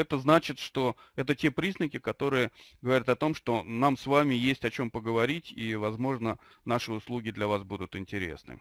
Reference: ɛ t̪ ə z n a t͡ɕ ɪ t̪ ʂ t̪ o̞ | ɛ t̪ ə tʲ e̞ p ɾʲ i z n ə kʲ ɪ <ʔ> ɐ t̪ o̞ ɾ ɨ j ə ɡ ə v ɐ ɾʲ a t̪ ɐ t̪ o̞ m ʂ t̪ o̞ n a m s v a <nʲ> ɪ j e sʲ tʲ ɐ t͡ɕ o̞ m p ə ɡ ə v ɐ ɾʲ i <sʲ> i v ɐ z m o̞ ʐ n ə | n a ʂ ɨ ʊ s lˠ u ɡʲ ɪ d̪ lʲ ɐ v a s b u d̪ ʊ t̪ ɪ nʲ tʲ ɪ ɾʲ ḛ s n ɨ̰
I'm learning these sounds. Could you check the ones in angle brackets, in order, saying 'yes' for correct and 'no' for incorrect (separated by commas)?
no, no, no